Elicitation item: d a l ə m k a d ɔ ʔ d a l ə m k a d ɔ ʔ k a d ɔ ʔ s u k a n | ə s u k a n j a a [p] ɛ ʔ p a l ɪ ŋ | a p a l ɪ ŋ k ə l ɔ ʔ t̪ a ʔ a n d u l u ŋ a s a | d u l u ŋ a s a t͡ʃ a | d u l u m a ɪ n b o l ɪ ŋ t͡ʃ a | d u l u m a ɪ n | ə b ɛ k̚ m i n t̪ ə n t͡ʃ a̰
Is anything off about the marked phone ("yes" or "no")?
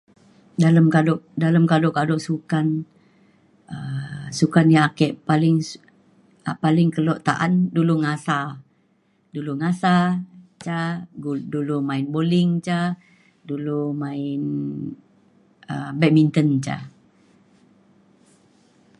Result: yes